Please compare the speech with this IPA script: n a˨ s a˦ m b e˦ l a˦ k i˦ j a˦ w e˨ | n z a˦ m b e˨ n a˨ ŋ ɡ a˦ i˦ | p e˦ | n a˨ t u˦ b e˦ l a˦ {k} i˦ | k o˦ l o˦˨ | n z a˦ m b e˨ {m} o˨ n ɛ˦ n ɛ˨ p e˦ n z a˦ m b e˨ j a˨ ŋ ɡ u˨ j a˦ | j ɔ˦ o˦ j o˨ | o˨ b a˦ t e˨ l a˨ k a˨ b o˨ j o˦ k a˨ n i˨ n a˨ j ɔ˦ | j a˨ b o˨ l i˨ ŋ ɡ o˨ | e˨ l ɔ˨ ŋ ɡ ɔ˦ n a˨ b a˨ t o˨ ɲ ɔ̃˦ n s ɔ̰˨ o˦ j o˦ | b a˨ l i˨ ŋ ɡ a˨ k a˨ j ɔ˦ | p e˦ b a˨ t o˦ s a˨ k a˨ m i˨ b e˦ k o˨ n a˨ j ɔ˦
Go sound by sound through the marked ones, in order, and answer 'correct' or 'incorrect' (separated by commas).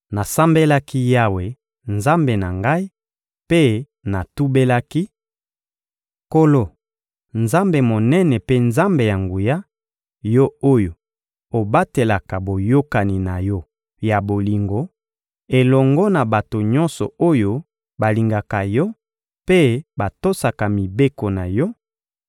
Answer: correct, correct